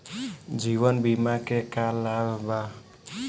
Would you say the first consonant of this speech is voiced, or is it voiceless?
voiced